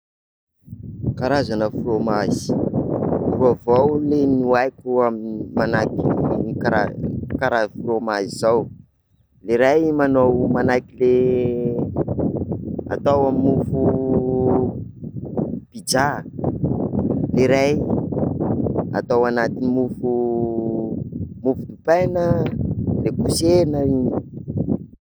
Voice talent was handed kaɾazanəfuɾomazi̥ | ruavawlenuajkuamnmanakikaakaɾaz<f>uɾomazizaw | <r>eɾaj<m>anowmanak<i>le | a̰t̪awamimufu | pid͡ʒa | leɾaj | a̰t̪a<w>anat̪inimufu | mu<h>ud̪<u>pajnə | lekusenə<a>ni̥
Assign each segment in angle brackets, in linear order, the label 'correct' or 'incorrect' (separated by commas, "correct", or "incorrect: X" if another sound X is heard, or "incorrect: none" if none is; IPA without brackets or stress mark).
correct, incorrect: l, correct, correct, correct, incorrect: f, correct, incorrect: i